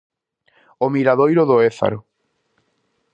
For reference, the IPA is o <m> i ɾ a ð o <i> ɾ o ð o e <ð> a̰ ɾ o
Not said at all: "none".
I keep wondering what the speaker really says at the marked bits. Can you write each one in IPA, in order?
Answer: m, j, θ

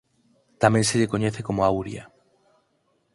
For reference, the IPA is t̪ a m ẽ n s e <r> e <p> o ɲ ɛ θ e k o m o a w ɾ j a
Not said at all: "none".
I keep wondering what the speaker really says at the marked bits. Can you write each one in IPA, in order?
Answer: ʎ, k

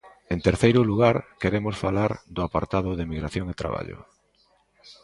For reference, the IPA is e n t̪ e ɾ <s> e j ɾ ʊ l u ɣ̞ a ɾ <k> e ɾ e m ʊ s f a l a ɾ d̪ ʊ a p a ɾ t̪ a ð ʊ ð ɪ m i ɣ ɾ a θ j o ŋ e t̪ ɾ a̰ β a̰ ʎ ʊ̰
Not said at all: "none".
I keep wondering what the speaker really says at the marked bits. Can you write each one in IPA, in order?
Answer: θ, k

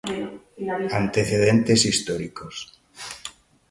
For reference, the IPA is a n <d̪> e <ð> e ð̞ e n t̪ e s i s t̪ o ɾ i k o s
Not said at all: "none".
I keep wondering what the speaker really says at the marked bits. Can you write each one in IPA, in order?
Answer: t̪, θ

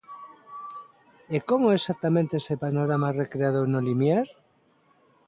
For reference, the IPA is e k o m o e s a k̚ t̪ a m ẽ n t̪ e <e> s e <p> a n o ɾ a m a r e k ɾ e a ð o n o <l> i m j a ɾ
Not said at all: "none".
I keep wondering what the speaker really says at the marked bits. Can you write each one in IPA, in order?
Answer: e, p, l

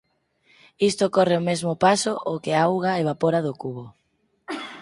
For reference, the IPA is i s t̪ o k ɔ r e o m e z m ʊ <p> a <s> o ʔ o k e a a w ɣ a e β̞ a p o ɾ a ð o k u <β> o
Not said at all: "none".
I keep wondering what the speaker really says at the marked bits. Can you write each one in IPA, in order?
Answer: p, s, β

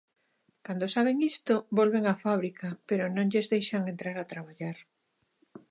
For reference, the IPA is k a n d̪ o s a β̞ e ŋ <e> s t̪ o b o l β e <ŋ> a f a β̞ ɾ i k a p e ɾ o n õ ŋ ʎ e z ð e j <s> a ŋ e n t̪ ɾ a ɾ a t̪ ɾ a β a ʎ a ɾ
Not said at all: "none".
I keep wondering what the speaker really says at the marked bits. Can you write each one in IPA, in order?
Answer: i, ŋ, ʃ

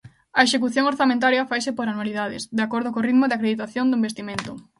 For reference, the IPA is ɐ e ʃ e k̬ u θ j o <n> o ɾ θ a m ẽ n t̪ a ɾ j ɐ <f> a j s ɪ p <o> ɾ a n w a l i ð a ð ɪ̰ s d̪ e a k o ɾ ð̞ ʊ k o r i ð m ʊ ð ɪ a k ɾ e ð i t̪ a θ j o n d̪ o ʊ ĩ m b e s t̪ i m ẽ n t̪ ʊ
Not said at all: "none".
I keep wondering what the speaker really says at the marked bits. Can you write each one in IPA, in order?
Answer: ŋ, f, o

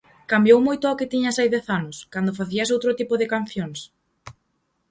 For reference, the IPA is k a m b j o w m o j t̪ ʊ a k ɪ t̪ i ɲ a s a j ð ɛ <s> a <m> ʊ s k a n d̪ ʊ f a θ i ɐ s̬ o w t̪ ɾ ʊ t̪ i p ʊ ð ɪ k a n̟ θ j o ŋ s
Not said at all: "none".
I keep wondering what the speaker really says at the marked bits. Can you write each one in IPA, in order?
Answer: θ, n

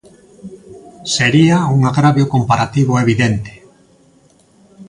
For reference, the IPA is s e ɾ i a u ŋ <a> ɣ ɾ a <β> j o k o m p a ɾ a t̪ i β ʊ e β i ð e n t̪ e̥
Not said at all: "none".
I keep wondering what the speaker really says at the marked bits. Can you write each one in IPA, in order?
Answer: a, β

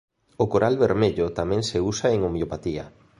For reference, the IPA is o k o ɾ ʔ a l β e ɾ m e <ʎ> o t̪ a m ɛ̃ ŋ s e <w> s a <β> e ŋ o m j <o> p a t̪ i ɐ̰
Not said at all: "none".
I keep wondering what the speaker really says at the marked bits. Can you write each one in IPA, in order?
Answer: ʎ, u, none, o

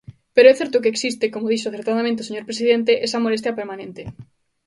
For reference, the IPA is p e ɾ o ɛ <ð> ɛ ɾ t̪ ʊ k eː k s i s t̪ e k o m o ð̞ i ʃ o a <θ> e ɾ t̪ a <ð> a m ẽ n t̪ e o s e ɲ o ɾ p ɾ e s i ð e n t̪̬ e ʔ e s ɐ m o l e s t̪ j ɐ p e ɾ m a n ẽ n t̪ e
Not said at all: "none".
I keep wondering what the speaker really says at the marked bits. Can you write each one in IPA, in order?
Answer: θ, θ, ð

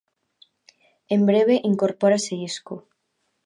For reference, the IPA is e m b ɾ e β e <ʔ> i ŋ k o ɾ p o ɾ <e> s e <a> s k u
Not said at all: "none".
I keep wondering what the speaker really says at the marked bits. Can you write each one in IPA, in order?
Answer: ʔ, a, i

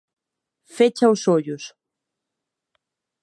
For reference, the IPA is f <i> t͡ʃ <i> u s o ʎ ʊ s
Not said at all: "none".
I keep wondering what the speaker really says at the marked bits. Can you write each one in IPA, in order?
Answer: e, a

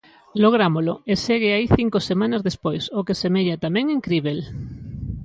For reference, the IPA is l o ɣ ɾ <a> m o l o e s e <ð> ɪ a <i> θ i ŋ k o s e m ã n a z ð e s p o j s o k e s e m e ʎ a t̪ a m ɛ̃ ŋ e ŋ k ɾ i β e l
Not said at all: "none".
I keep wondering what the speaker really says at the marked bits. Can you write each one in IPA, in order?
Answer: a, ɣ, i

